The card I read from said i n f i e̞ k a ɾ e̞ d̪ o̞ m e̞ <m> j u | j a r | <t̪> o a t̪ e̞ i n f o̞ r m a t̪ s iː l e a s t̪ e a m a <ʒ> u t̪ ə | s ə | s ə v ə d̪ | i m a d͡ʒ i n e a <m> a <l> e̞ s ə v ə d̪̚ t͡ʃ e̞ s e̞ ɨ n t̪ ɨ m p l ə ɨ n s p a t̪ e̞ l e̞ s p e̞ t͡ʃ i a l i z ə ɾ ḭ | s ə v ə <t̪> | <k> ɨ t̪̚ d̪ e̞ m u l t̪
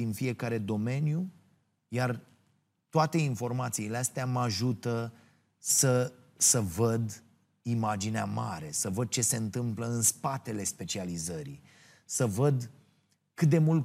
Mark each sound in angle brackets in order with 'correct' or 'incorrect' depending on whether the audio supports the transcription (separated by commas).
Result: incorrect, correct, correct, correct, incorrect, incorrect, correct